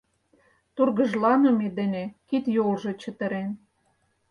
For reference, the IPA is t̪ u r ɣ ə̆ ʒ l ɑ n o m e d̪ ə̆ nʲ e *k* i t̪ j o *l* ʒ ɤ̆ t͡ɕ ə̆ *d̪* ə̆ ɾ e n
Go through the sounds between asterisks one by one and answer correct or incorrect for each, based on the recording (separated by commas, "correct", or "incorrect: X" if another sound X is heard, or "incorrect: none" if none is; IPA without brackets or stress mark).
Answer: correct, correct, incorrect: t̪